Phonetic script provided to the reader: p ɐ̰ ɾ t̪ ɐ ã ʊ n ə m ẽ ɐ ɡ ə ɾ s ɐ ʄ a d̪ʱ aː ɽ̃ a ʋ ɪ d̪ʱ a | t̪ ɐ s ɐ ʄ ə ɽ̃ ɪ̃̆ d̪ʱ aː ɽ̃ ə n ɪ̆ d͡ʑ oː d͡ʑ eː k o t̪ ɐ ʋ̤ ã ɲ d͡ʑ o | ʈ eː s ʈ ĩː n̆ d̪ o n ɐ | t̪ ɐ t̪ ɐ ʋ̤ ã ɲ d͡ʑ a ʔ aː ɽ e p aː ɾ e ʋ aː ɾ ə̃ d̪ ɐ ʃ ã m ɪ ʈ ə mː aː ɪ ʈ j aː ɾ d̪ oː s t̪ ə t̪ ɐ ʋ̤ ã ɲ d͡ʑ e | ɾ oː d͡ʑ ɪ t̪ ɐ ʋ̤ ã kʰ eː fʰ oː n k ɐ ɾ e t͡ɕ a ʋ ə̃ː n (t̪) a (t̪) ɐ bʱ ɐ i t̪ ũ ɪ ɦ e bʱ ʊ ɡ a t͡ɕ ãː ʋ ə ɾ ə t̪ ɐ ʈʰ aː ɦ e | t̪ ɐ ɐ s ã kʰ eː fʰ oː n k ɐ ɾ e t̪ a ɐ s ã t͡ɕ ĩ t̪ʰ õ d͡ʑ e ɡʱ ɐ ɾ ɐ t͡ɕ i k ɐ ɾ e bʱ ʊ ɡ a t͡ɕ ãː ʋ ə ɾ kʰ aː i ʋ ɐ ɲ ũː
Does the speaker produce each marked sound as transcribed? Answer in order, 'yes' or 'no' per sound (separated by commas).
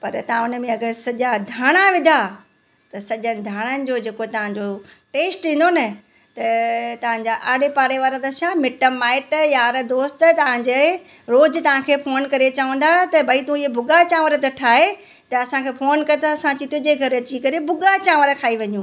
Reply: no, yes